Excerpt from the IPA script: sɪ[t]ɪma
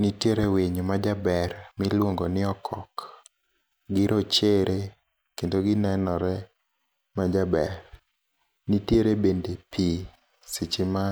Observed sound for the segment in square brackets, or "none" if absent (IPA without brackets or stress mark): t͡ʃ